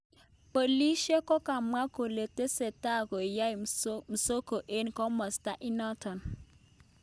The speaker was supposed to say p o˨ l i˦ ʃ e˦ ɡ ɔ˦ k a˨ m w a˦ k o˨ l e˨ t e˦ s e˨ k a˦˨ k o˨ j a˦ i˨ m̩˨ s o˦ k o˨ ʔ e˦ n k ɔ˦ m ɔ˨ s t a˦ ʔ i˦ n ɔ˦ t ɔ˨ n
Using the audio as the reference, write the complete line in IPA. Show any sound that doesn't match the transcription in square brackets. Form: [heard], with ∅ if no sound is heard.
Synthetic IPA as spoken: p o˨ l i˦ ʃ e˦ [k] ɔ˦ k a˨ m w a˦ k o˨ l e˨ t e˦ s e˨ [t] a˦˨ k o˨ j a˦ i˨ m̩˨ s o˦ k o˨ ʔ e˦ n k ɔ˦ m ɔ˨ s t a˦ ʔ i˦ n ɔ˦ t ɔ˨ n